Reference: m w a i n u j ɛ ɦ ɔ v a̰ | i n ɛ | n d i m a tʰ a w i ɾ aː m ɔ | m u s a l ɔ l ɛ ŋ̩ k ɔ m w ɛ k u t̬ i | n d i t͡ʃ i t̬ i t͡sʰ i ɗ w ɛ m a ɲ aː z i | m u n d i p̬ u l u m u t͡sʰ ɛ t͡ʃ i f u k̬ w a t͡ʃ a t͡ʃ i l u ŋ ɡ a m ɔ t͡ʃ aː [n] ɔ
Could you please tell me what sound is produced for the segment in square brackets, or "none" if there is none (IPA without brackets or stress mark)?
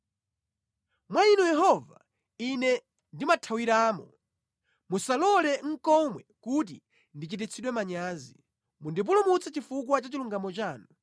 n